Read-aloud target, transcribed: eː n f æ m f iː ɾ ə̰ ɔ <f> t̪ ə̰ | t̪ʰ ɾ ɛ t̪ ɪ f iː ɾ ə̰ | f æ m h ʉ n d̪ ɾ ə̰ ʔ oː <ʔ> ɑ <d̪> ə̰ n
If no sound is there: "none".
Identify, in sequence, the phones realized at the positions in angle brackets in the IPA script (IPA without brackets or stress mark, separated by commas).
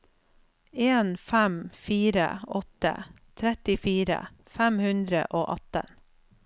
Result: none, ʔ, t̪